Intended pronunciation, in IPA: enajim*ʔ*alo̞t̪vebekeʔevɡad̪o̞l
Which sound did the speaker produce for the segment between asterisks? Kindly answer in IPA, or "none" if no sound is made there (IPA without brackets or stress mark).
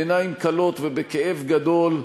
k